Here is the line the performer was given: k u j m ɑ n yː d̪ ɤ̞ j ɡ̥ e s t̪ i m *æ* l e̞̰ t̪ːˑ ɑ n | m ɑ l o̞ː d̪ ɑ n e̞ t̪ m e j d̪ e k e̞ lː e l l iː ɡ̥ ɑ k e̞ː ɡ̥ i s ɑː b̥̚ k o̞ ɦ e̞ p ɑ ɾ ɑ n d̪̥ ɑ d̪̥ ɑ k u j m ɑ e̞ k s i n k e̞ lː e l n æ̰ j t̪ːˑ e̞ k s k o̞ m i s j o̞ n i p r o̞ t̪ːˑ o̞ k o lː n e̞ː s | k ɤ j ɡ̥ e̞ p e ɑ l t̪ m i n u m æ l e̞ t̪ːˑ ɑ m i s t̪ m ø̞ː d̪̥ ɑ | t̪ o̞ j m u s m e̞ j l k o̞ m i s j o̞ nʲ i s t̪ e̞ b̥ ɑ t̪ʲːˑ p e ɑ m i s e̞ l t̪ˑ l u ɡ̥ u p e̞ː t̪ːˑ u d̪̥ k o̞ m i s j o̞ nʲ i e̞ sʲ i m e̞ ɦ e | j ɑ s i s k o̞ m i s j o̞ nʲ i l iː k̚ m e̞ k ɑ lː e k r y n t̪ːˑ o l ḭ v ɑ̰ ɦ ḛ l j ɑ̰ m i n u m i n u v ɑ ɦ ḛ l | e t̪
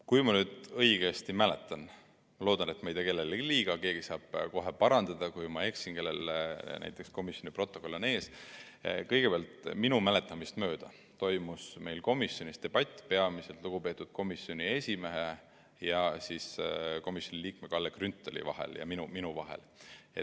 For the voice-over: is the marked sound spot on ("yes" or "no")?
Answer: yes